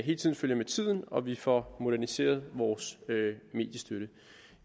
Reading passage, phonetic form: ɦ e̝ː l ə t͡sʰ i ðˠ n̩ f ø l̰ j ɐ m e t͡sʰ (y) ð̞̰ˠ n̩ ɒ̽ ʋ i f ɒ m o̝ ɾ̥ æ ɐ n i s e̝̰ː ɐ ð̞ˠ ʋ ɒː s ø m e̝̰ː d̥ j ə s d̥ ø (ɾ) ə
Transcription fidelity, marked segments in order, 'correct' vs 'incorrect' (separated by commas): incorrect, correct